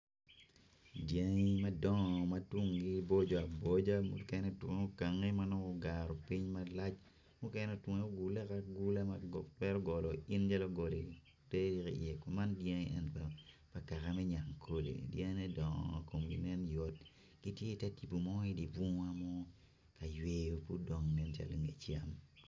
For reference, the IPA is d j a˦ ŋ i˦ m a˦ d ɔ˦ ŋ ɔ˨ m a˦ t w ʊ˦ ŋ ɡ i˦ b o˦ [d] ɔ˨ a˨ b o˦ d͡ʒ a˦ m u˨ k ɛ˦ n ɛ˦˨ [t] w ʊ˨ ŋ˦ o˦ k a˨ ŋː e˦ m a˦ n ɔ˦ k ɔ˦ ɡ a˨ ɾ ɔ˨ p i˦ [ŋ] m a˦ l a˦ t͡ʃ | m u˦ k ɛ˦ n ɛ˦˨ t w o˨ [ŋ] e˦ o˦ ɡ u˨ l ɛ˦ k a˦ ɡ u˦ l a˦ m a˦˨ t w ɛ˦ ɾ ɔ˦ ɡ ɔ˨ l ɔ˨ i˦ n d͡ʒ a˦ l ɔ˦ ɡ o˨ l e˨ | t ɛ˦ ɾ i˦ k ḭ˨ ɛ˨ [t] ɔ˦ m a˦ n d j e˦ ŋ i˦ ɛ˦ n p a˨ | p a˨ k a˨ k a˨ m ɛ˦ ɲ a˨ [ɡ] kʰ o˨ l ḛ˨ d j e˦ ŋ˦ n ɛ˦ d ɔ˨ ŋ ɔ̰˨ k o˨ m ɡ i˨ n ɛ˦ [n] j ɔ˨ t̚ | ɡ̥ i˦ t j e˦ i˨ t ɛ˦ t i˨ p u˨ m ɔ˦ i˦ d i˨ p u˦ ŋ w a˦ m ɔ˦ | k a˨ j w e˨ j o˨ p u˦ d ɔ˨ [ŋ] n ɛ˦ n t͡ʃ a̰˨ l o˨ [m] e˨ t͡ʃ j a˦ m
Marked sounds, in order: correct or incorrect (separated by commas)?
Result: incorrect, correct, incorrect, correct, incorrect, incorrect, correct, correct, incorrect